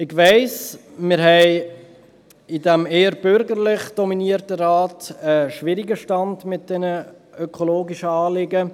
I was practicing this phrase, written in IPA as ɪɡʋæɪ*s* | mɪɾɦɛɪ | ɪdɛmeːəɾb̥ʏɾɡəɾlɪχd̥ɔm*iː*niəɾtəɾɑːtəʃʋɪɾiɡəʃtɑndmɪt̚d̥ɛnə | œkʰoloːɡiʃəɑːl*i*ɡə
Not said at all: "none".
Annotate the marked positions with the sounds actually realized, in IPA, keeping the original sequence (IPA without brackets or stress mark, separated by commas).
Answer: s, i, ɪ